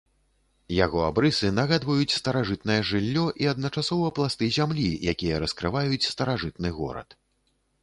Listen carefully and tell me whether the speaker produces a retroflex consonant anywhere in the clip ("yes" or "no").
yes